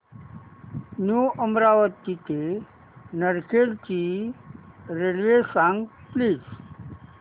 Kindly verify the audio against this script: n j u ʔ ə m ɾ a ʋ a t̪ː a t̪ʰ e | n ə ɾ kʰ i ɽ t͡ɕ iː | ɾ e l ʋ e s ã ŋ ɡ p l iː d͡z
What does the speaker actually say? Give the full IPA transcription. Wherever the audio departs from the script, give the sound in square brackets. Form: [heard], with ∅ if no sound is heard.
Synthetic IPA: n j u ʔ ə m ɾ a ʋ [ə] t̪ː [i] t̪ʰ e | n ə ɾ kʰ [e] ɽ t͡ɕ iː | ɾ e l ʋ e s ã ŋ ɡ p l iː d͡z